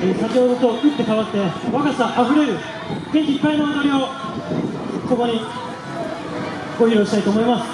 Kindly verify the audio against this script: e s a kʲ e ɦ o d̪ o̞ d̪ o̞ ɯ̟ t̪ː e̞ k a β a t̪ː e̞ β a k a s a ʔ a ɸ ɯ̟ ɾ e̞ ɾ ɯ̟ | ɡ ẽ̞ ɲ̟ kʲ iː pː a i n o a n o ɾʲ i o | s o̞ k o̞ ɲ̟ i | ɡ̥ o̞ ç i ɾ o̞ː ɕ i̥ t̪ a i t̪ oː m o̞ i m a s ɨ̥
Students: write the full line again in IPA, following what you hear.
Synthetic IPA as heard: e s a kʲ e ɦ o d̪ o̞ t̪ o̞ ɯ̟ t̪ː e̞ k a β a t̪ː e̞ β a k a s a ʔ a ɸ ɯ̟ ɾ e̞ ɾ ɯ̟ | ɡ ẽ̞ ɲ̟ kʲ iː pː a i n o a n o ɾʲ i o | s o̞ k o̞ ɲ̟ i | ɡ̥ o̞ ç i ɾ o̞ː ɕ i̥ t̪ a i t̪ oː m o̞ i m a s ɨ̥

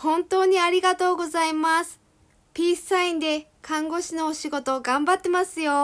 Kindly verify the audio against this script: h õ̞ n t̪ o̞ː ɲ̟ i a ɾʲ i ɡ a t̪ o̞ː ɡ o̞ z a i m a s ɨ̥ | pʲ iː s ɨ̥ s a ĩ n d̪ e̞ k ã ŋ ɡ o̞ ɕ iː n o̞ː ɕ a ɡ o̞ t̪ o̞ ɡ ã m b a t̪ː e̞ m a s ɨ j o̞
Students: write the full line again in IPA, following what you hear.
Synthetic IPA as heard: h õ̞ n t̪ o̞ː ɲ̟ i a ɾʲ i ɡ a t̪ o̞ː ɡ o̞ z a i m a s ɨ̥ | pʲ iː s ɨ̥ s a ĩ n d̪ e̞ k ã ŋ ɡ o̞ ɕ i n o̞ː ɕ i ɡ o̞ t̪ o̞ ɡ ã m b a t̪ː e̞ m a s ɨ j o̞

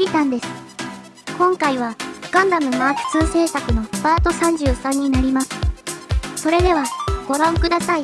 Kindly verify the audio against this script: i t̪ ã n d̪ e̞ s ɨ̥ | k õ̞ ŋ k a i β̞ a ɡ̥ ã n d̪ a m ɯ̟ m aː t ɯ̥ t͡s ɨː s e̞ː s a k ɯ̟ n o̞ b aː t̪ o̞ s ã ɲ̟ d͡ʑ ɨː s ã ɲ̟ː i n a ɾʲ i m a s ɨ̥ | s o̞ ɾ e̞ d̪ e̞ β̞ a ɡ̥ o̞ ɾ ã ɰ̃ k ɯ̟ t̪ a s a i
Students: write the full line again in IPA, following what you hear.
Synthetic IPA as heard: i t̪ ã n d̪ e̞ s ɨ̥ | k õ̞ ŋ k a i β̞ a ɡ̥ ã n d̪ a m ɯ̟ m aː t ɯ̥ t͡s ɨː s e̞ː s a k ɯ̟ n o̞ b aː t̪ o̞ s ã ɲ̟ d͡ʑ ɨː s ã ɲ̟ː i n a ɾʲ i m a s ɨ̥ | s o̞ ɾ e̞ d̪ e̞ β̞ a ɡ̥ o̞ ɾ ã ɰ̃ k ɯ̟ d̪ a s a i

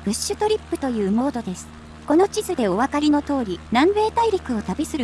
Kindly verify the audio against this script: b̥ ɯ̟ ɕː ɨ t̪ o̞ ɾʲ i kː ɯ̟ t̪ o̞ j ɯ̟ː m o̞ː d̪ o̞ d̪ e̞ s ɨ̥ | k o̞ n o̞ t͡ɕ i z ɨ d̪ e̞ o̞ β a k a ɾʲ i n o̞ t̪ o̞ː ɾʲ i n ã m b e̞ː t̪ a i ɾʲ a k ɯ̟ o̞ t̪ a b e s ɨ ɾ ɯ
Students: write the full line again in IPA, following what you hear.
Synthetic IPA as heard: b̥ ɯ̟ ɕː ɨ t̪ o̞ ɾʲ i pː ɯ̟ t̪ o̞ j ɯ̟ː m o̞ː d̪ o̞ d̪ e̞ s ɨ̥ | k o̞ n o̞ t͡ɕ i z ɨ d̪ e̞ o̞ β a k a ɾʲ i n o̞ t̪ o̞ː ɾʲ i n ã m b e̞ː t̪ a i ɾʲ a k ɯ̟ o̞ t̪ a b e s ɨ ɾ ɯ

